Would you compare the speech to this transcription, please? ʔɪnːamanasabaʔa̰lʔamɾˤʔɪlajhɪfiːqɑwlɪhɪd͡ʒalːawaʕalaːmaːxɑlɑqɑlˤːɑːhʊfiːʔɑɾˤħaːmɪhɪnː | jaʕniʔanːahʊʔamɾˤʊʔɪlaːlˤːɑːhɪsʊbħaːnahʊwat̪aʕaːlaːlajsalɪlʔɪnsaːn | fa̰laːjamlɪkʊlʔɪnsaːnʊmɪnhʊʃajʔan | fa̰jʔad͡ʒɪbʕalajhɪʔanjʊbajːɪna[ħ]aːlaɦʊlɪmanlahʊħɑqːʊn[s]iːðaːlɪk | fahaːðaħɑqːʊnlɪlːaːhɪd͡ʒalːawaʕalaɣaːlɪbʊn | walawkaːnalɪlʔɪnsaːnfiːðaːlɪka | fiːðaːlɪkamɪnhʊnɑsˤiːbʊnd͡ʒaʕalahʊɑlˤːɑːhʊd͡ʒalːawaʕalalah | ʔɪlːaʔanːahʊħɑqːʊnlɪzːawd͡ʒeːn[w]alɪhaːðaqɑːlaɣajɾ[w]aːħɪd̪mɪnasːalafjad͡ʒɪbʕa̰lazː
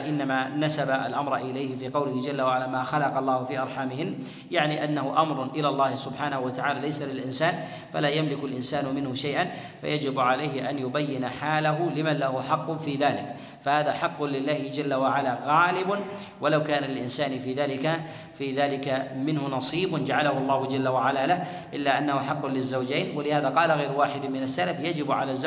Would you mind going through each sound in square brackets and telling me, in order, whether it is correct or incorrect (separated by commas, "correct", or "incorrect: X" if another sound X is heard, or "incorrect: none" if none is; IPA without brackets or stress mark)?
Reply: correct, incorrect: f, correct, correct